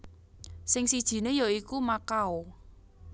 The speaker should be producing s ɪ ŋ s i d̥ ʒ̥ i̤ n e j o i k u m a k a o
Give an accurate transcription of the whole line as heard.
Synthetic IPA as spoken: s ɪ ŋ s i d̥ ʒ̥ i̤ n e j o i k u m a k a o